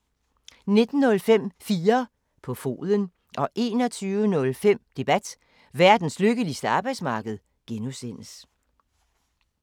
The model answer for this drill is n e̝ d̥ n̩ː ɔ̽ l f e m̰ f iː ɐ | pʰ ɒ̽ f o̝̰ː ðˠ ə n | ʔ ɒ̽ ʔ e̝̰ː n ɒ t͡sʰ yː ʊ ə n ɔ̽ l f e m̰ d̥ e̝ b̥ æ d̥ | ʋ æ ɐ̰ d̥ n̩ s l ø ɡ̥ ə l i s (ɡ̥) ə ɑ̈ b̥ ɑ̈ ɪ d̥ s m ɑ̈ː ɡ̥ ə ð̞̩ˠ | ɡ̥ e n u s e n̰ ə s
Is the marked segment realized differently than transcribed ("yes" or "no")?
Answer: yes